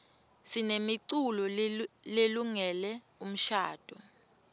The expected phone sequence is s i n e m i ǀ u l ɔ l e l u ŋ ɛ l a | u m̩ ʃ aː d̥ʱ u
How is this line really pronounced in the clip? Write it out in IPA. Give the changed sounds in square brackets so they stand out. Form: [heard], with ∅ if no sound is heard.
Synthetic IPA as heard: s i n e m i ǀ u l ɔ l e l u ŋ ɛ l [ɛ] | u m̩ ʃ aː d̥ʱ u